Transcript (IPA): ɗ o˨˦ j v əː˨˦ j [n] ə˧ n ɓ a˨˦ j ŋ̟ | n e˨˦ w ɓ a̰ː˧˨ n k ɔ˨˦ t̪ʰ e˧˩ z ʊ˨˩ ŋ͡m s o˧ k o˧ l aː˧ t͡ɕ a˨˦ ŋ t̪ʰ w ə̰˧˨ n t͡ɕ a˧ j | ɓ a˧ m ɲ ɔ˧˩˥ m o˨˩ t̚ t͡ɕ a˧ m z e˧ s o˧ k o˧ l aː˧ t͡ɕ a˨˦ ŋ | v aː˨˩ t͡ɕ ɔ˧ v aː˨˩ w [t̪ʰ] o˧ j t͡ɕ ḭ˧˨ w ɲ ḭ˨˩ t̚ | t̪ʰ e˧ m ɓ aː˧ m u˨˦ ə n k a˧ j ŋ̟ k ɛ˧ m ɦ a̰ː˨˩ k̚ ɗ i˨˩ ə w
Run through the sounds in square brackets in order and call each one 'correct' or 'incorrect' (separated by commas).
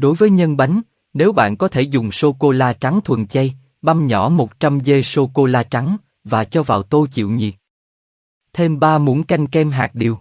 incorrect, incorrect